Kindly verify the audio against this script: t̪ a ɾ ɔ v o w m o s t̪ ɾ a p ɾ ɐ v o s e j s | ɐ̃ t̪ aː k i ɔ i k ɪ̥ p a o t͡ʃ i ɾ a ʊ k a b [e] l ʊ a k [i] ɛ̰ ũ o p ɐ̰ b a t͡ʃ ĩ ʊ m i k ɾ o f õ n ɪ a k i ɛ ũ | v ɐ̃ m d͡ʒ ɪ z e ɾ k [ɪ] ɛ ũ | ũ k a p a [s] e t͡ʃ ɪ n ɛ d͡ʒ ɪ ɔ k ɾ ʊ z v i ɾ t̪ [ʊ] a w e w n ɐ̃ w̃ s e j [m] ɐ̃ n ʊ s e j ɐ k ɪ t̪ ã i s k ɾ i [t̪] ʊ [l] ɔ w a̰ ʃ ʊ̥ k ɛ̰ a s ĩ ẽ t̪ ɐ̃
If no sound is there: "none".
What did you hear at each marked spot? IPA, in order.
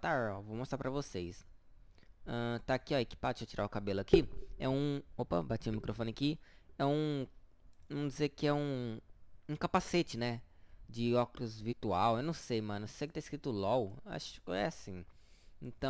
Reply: e, i, ɪ, s, u, m, t̪, l

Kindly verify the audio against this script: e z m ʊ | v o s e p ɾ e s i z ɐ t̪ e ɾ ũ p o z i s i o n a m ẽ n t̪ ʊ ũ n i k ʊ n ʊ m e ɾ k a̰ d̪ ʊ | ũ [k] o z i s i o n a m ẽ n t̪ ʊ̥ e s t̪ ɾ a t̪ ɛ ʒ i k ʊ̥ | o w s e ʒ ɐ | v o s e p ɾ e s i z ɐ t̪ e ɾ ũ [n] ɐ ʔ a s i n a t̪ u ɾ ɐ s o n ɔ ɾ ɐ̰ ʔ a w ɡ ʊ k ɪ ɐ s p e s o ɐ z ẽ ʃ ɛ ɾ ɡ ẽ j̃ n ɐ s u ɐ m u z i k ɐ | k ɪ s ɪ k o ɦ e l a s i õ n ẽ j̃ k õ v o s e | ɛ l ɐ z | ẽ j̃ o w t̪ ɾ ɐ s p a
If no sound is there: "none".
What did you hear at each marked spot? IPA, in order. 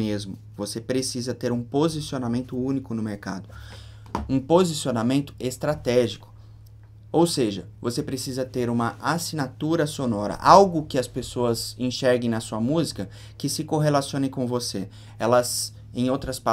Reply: p, m

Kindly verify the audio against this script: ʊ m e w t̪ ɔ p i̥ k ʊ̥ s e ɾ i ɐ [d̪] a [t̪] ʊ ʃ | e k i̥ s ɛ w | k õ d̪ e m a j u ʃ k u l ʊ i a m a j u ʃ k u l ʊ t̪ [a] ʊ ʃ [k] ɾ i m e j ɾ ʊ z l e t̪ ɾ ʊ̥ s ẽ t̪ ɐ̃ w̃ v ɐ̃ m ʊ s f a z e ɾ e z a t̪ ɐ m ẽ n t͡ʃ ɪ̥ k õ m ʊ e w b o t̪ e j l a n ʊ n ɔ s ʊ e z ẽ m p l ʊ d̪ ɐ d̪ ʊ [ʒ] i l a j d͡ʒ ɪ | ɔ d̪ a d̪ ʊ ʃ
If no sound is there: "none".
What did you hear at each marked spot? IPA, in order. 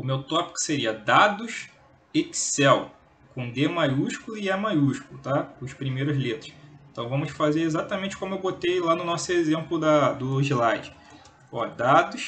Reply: d̪, d̪, a, p, ʒ

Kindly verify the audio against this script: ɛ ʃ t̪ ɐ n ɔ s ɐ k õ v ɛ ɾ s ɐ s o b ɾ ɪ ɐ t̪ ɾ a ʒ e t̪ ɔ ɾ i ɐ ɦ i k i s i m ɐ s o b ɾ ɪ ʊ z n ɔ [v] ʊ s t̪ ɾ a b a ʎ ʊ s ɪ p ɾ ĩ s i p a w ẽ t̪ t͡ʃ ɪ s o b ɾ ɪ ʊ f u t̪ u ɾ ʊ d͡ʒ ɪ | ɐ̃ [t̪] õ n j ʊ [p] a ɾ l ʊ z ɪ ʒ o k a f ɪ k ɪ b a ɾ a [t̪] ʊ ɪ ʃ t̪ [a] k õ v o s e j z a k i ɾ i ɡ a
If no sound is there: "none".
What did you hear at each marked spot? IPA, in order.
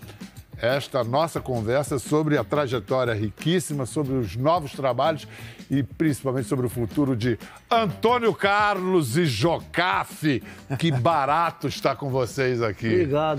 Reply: v, t̪, k, t̪, a

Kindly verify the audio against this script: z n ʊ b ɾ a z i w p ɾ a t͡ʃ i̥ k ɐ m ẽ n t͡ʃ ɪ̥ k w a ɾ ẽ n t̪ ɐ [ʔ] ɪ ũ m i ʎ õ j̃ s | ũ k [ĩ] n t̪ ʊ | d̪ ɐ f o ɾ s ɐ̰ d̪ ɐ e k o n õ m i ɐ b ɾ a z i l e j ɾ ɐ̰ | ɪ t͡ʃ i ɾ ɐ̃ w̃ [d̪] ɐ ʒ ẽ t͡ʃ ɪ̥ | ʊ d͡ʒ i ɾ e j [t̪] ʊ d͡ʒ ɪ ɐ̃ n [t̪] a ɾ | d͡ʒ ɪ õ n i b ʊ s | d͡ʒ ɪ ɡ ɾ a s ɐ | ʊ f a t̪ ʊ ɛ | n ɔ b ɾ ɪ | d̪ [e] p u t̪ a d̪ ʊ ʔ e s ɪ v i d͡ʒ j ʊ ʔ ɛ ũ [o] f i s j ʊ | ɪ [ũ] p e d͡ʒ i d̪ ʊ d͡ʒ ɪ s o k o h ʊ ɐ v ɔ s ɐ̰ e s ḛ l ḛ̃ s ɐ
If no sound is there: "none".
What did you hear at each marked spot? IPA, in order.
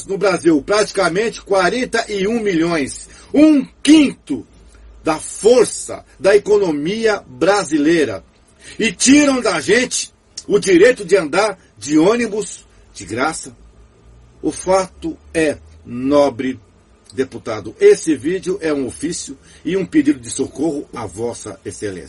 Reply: ʔ, ĩ, d̪, t̪, d̪, e, o, ũ

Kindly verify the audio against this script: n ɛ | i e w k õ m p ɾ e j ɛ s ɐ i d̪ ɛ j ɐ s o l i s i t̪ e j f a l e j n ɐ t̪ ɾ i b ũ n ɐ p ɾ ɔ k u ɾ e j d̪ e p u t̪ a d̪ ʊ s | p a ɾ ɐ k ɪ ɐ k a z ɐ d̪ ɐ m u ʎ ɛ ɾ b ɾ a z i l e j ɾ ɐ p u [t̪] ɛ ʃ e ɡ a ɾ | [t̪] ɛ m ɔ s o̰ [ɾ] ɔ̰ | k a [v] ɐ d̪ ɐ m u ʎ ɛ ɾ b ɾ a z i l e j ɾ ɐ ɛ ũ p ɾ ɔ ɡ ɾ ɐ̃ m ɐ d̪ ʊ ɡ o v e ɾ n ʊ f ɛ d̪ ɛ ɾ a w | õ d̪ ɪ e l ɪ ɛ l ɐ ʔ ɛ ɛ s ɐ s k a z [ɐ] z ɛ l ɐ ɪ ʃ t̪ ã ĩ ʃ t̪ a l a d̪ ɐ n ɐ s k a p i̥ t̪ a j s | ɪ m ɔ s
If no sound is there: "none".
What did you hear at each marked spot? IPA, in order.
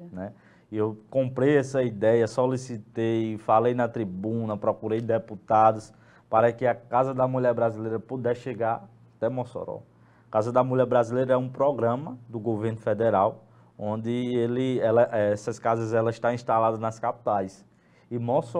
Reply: d̪, t̪, ɾ, z, ɐ

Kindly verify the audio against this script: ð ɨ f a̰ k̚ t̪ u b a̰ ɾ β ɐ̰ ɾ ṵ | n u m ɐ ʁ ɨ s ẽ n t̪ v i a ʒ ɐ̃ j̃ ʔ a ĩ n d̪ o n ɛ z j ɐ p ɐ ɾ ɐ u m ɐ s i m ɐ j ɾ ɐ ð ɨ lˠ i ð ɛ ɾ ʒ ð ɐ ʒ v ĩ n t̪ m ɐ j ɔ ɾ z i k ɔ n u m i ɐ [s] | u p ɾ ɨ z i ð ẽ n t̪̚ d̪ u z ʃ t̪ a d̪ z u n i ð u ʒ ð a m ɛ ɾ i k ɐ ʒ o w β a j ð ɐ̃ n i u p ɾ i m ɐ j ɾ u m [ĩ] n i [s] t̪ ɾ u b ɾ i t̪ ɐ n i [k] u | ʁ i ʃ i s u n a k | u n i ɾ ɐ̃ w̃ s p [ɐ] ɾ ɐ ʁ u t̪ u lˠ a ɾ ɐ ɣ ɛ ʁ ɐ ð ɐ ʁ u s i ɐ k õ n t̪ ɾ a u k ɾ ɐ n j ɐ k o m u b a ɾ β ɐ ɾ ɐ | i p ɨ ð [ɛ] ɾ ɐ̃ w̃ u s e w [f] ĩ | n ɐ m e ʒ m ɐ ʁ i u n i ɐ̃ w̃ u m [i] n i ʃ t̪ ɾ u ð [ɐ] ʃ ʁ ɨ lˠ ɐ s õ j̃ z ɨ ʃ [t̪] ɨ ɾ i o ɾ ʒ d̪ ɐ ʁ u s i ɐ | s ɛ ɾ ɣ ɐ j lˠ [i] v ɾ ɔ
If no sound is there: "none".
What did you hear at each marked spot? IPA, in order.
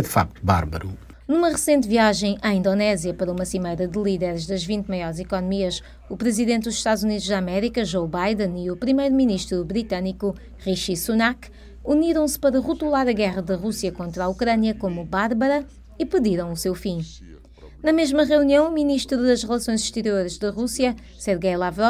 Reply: ʃ, i, ʃ, k, ɐ, i, f, i, ɐ, t̪, a

